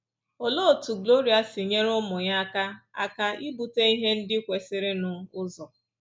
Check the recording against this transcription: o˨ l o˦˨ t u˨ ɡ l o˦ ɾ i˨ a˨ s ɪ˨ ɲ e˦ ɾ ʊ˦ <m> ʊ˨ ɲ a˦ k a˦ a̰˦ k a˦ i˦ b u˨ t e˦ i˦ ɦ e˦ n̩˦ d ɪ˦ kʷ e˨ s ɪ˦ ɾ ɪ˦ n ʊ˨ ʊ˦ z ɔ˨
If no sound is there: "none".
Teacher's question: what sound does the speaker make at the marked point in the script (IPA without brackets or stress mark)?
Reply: m